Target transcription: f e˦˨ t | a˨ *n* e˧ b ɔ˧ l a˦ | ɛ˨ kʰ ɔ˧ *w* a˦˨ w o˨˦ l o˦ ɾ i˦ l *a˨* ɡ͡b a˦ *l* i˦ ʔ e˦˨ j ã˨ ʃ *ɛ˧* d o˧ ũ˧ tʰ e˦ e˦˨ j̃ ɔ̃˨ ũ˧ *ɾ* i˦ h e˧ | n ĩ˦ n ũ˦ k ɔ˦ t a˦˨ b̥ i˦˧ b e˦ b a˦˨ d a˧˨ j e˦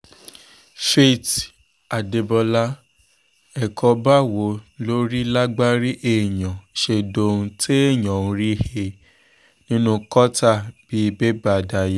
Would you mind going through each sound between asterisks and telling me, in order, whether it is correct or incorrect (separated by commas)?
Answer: incorrect, incorrect, incorrect, incorrect, incorrect, correct